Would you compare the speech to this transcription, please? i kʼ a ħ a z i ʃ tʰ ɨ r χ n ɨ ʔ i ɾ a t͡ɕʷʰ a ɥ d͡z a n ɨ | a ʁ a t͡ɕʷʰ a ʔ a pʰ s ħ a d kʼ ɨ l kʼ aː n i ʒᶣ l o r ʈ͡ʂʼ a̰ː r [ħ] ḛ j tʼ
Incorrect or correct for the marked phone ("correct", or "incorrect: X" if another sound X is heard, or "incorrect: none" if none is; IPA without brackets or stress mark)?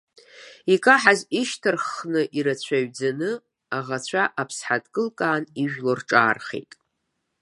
incorrect: χ